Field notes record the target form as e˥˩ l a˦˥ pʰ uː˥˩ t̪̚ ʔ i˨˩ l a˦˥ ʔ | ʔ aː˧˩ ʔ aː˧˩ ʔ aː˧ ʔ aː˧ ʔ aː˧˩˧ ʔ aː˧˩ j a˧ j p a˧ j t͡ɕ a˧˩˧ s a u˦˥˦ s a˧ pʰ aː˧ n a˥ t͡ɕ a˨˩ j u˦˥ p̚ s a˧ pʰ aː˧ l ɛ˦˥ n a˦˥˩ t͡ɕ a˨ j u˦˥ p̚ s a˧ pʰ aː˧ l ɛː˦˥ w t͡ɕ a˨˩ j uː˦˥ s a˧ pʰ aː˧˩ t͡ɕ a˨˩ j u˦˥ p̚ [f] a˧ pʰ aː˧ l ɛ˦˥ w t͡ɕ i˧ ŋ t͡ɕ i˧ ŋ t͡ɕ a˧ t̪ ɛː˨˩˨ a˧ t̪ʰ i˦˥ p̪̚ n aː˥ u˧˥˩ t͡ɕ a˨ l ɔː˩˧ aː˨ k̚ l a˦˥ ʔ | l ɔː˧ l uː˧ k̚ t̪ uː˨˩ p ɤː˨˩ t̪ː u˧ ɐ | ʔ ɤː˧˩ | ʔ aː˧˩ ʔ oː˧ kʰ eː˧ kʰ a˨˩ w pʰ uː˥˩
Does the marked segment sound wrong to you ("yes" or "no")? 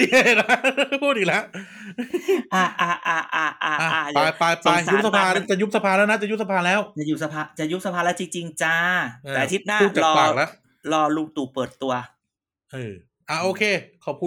yes